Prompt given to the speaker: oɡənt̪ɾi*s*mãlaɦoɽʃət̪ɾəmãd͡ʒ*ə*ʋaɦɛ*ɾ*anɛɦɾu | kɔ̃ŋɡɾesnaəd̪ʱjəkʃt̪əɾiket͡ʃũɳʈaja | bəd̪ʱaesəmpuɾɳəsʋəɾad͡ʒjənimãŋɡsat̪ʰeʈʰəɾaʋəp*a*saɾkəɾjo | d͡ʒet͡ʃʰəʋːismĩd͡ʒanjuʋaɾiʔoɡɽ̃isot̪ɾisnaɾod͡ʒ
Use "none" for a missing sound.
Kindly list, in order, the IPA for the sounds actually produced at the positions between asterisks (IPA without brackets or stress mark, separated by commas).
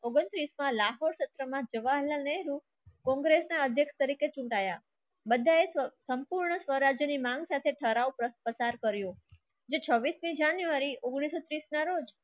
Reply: s, ə, l, ə